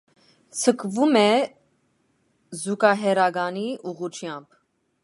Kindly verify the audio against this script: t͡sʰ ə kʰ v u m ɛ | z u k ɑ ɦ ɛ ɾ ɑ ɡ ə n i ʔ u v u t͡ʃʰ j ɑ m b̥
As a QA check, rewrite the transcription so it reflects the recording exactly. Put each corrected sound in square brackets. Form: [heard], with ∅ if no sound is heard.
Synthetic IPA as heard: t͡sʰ ə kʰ v u m ɛ | z u k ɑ ɦ ɛ ɾ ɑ ɡ [ɑ] n i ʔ u [ʁ] u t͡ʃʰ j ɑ m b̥